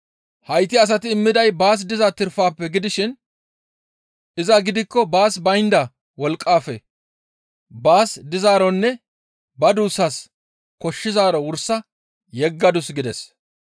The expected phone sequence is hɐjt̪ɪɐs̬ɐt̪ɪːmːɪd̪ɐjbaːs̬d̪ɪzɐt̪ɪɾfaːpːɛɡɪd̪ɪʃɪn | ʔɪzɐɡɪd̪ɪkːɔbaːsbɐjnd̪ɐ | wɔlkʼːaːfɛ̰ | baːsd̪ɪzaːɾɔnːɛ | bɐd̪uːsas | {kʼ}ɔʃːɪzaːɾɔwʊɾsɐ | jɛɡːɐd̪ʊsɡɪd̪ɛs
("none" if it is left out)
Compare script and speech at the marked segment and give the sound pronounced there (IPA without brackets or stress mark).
k